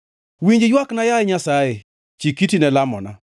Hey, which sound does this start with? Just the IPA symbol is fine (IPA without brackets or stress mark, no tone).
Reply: w